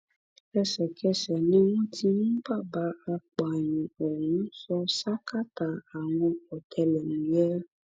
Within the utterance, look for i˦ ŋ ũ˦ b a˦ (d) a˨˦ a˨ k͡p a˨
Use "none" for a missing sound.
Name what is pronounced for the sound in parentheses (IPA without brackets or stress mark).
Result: b